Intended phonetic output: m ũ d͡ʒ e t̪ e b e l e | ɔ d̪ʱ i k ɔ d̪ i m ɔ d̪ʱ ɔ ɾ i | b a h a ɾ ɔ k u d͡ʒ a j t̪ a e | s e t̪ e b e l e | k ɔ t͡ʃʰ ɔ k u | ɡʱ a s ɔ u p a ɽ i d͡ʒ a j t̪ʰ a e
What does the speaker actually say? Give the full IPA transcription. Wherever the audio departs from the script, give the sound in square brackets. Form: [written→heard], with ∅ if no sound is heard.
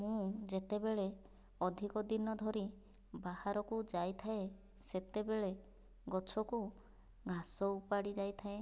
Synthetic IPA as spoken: m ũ d͡ʒ e t̪ e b e [l→ɭ] e | ɔ d̪ʱ i k ɔ d̪ i [m→n] ɔ d̪ʱ ɔ ɾ i | b a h a ɾ ɔ k u d͡ʒ a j [t̪→t̪ʰ] a e | s e t̪ e b e [l→ɭ] e | [k→ɡ] ɔ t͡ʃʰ ɔ k u | ɡʱ a s ɔ u p a ɽ i d͡ʒ a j t̪ʰ a e

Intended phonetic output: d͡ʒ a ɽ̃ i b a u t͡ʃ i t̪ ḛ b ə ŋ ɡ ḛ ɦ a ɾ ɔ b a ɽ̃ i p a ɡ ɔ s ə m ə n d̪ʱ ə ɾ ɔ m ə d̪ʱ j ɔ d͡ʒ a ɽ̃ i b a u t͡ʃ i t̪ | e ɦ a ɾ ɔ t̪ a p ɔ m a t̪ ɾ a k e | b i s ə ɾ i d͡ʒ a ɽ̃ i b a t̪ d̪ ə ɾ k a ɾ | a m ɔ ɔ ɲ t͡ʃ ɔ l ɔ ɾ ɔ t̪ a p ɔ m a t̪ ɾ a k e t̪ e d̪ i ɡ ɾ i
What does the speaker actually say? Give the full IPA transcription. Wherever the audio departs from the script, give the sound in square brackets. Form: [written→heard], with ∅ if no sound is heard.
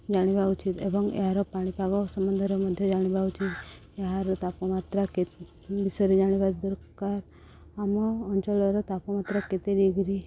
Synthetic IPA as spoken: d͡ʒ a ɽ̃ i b a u t͡ʃ i t̪ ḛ b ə ŋ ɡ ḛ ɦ a ɾ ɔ [b→p] a ɽ̃ i p a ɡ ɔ s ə m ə n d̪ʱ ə ɾ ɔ m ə d̪ʱ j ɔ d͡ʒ a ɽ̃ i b a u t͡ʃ i t̪ | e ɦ a ɾ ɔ t̪ a p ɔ m a t̪ ɾ a k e | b i s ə ɾ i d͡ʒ a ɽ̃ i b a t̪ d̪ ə ɾ k a ɾ | a m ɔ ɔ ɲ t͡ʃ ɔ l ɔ ɾ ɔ t̪ a p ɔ m a t̪ ɾ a k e t̪ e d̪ i ɡ ɾ i

